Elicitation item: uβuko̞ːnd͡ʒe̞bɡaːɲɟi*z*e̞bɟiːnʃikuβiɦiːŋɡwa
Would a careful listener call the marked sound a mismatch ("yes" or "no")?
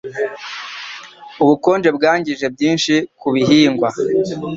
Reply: yes